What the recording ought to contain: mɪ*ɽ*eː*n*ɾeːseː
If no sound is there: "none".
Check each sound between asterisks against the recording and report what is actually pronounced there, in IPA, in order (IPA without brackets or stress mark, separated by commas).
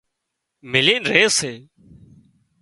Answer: l, n